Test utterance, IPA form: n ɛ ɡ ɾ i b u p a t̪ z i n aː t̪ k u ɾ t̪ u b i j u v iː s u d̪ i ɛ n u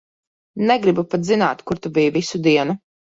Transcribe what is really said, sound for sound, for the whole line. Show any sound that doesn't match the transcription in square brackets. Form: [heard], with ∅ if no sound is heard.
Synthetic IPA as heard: n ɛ ɡ ɾ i b u p a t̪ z i n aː t̪ k u ɾ t̪ u b i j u v [i] s u d̪ i ɛ n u